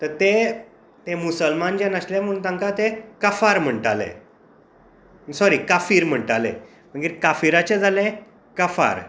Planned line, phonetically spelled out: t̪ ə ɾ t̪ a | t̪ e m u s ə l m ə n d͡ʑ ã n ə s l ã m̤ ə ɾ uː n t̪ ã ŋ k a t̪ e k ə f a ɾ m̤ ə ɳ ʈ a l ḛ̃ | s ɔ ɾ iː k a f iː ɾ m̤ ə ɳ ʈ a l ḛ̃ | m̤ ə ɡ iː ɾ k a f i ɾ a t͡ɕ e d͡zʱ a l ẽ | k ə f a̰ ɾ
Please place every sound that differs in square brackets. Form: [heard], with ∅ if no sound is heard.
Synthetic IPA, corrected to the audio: t̪ ə ɾ t̪ [e] | t̪ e m u s ə l m [a] n d͡ʑ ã n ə s l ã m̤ ə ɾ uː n t̪ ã ŋ k a t̪ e k ə f a ɾ m̤ ə ɳ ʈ a l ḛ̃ | s ɔ ɾ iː k a f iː ɾ m̤ ə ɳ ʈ a l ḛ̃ | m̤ ə ɡ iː ɾ k a f i ɾ a t͡ɕ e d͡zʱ a l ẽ | k ə f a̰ ɾ